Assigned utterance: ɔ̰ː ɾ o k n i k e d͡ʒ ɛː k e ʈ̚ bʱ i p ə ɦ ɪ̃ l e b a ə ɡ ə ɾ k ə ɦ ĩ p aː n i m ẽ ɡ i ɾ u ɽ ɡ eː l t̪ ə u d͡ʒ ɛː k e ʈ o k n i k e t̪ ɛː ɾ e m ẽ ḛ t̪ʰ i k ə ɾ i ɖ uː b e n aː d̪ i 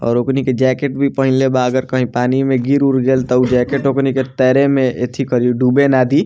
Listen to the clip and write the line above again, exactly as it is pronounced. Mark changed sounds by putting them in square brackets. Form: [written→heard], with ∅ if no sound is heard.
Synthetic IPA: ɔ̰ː ɾ o k n i k e d͡ʒ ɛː k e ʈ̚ bʱ i p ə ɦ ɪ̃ l e b a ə ɡ ə ɾ k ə ɦ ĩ p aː n i m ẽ ɡ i ɾ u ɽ ɡ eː l t̪ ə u d͡ʒ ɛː k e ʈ o k n i k e t̪ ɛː ɾ e m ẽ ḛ t̪ʰ i k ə ɾ i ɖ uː b e n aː d̪ i